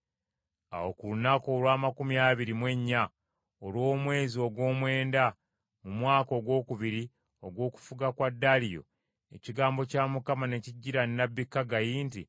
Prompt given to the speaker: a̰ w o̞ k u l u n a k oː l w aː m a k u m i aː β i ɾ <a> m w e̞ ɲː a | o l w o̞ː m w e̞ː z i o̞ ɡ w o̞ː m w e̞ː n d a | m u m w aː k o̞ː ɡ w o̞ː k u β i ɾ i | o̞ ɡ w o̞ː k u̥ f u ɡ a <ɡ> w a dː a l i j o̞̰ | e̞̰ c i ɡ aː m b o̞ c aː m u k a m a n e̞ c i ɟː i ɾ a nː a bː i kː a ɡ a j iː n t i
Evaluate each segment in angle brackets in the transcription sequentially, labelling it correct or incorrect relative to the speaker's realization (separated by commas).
incorrect, incorrect